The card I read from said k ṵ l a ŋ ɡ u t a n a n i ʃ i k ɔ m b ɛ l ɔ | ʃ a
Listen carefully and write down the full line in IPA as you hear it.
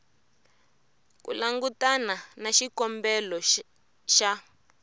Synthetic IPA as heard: k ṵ l a ŋ ɡ u t a n a n a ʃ i k ɔ m b ɛ l ɔ | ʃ a